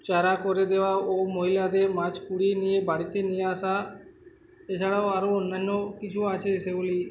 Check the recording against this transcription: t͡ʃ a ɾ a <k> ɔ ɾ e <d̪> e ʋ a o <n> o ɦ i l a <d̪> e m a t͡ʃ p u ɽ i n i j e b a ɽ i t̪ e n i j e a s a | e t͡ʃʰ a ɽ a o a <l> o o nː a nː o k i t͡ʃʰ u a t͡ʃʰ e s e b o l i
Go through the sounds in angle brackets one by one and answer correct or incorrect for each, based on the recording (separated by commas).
correct, correct, incorrect, correct, incorrect